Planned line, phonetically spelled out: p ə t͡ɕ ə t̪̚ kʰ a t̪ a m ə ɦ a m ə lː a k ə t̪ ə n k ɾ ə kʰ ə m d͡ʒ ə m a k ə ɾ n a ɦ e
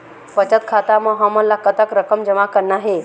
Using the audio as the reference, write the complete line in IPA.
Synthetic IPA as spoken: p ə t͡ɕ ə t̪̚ kʰ a t̪ a m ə ɦ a m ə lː a k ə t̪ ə k ɾ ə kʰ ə m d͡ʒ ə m a k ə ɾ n a ɦ e